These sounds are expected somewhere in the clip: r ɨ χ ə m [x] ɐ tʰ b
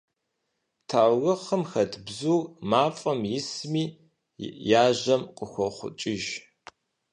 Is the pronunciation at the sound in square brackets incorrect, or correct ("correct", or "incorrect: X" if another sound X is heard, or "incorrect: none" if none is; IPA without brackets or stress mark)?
correct